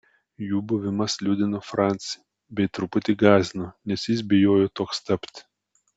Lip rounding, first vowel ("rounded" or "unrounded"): rounded